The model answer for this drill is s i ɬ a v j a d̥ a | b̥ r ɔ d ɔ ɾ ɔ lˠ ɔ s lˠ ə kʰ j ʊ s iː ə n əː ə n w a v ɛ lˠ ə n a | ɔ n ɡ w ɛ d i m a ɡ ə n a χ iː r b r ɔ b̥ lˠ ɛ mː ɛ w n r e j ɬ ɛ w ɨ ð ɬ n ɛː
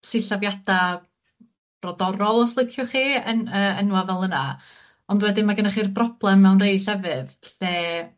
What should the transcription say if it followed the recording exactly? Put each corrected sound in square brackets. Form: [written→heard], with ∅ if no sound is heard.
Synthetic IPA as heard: s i ɬ a v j a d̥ a | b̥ r ɔ d ɔ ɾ ɔ lˠ ɔ s lˠ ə kʰ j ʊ [s→χ] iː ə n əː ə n w a v ɛ lˠ ə n a | ɔ n [ɡ→d] w ɛ d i m a ɡ ə n a χ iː r b r ɔ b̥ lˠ ɛ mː ɛ w n r e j ɬ ɛ [w→v] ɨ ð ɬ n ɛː